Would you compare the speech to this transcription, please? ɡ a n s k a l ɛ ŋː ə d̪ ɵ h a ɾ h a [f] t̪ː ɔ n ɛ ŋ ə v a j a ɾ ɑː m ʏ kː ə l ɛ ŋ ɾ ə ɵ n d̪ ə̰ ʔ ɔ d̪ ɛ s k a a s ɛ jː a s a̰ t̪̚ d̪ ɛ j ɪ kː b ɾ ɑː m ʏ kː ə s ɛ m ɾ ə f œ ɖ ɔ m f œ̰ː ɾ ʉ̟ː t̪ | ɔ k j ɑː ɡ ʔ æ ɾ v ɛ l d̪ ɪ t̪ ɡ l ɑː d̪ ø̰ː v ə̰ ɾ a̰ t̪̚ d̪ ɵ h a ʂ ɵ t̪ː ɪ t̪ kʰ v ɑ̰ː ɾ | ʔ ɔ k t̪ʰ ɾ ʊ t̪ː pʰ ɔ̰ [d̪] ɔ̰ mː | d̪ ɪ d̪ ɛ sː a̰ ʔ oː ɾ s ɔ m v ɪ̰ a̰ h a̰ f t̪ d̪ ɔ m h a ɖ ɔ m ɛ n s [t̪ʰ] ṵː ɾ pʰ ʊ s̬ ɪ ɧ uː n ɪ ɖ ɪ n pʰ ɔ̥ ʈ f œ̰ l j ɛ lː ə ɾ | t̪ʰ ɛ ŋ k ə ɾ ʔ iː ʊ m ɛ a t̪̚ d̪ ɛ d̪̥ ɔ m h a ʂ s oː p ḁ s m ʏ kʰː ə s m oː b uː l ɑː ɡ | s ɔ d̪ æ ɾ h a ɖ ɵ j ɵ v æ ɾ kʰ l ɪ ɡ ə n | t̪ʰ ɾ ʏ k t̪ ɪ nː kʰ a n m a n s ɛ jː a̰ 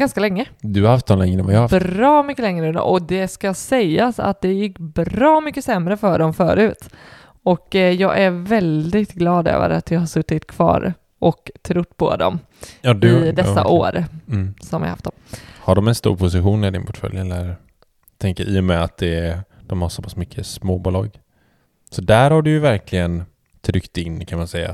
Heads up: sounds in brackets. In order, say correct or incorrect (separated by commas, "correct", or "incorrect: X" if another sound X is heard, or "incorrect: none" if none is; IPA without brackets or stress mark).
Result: correct, correct, incorrect: t̪